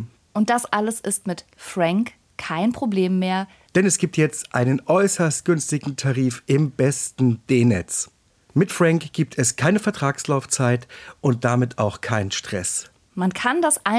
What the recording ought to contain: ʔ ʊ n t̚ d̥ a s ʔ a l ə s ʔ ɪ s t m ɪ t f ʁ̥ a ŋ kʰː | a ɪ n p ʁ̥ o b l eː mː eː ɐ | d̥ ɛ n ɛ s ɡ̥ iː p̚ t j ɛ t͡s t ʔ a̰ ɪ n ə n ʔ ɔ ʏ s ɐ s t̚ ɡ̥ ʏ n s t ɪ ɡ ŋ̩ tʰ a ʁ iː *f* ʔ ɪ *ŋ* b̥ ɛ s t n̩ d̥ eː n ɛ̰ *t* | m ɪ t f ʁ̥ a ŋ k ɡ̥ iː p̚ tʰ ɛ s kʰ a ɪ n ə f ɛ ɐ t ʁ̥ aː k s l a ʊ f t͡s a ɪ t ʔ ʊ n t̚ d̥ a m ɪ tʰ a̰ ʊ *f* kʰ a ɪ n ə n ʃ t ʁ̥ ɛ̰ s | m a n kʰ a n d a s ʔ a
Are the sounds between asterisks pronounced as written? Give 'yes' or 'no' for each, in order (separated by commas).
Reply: yes, no, no, no